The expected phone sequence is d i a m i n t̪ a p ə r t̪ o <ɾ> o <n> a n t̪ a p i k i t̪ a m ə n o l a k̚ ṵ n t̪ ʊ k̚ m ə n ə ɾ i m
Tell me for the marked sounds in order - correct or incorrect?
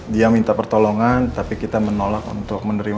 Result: incorrect: l, incorrect: ŋ

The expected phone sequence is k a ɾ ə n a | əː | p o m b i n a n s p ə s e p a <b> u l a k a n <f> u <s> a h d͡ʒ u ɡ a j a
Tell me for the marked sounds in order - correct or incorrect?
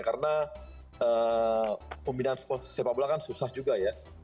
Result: correct, incorrect: s, correct

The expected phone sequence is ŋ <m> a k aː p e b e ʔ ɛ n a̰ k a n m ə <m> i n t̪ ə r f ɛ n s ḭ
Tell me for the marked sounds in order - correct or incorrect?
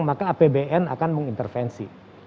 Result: correct, incorrect: ŋ

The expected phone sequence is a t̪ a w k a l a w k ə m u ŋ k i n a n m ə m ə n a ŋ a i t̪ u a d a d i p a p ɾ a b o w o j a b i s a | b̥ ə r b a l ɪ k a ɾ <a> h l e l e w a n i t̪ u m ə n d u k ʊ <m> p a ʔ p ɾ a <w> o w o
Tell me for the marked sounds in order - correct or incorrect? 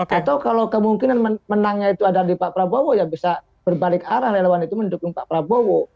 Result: correct, incorrect: ŋ, incorrect: b

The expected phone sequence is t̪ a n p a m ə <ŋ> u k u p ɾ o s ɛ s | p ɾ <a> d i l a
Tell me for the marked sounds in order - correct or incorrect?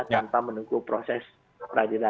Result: incorrect: n, correct

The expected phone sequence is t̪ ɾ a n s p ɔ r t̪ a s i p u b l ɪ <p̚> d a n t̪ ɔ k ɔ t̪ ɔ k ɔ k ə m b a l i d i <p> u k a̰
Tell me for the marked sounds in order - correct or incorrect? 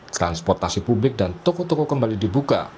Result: incorrect: k̚, incorrect: b

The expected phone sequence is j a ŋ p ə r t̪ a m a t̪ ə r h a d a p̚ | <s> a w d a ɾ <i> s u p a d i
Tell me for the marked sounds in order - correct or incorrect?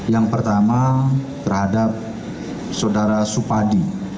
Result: correct, incorrect: a

